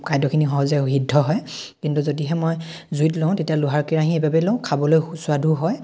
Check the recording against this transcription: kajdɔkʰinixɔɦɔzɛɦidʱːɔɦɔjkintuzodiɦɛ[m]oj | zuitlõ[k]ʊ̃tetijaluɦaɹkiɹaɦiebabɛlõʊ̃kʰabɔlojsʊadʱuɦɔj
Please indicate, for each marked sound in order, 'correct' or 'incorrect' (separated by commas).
correct, incorrect